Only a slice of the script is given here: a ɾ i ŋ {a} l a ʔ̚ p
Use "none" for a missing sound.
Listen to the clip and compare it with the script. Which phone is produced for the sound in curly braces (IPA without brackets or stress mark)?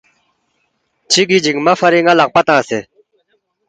a